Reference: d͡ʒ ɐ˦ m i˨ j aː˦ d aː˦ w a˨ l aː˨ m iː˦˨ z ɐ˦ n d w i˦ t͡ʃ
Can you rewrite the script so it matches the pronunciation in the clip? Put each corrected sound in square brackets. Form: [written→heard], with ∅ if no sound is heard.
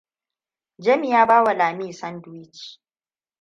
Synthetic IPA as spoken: d͡ʒ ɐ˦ m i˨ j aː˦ [d→b] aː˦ w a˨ l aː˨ m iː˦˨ [z→s] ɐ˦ n d w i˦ t͡ʃ